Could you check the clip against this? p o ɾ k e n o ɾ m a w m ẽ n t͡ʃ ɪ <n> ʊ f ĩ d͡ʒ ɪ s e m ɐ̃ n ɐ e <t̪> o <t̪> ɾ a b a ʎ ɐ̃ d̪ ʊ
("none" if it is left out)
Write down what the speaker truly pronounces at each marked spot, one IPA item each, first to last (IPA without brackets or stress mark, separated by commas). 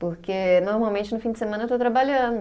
n, t̪, t̪